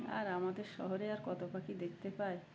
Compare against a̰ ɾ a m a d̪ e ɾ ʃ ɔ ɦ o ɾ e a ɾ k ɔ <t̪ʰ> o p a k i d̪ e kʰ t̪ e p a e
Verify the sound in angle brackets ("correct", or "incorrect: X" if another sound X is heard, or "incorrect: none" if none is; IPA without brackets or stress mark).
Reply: incorrect: t̪